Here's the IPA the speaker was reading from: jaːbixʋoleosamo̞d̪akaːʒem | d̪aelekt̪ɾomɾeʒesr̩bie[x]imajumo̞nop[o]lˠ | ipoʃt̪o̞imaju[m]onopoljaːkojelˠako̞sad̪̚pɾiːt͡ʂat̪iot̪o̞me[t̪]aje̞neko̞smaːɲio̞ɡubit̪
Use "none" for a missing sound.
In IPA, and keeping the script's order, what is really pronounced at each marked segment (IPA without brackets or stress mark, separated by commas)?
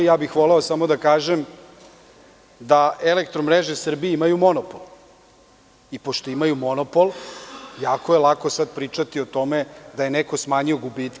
none, o, m, d̪